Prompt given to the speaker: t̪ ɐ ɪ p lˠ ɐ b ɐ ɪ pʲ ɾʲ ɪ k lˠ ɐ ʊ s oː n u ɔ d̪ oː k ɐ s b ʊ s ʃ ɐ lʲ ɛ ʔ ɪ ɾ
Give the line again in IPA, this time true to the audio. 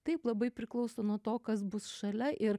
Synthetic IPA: t̪ ɐ ɪ p lˠ ɐ b ɐ ɪ pʲ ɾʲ ɪ k lˠ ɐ ʊ s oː n u ɔ t̪ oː k ɐ s b ʊ s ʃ ɐ lʲ ɛ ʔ ɪ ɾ